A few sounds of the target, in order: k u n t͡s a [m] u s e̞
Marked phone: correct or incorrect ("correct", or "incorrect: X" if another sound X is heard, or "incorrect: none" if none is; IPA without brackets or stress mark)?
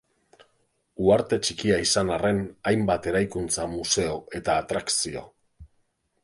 correct